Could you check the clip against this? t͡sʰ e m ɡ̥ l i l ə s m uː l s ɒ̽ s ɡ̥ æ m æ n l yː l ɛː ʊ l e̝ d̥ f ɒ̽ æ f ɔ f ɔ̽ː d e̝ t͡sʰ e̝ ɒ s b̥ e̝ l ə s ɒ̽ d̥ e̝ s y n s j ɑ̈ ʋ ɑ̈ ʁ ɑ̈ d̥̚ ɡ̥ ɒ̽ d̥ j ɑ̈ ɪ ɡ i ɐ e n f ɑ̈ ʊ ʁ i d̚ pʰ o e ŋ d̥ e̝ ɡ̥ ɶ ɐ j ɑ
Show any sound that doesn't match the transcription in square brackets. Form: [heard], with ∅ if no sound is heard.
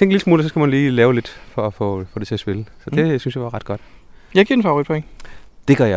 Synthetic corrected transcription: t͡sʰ e [ŋ] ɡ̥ l i l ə s m uː l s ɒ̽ s ɡ̥ æ m æ n l [iː] l ɛː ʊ l e̝ d̥ f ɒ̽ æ f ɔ f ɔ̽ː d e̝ t͡sʰ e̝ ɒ s b̥ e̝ l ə s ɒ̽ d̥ e̝ s y n s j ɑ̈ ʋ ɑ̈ ʁ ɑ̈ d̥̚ ɡ̥ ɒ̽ d̥ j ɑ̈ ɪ ɡ i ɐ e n f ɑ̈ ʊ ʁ i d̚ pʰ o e ŋ d̥ e̝ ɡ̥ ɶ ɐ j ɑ